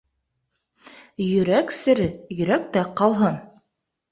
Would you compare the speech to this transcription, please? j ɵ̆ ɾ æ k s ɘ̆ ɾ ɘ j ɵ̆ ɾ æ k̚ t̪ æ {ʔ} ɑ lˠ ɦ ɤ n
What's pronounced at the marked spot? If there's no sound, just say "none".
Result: q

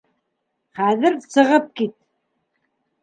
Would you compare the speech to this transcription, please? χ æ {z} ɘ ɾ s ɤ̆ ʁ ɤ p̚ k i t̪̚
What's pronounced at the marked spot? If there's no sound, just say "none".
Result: ð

